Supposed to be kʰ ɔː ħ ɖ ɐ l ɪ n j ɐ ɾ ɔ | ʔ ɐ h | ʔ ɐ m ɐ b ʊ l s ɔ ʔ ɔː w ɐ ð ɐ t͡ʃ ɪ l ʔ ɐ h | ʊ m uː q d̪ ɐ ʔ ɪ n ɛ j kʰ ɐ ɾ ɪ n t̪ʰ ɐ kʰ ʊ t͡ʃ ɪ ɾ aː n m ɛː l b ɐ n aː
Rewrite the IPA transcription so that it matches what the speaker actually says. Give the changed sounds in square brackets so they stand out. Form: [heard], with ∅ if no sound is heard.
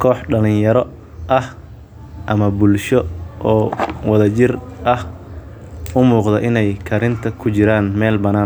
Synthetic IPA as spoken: kʰ ɔː ħ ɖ ɐ l ɪ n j ɐ ɾ ɔ | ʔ ɐ h | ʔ ɐ m ɐ b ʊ l [ʃ] ɔ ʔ ɔː w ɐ ð ɐ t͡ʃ ɪ [r] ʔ ɐ h | ʊ m uː q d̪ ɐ ʔ ɪ n ɛ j kʰ ɐ ɾ ɪ n t̪ʰ ɐ kʰ ʊ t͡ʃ ɪ ɾ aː n m ɛː l b ɐ n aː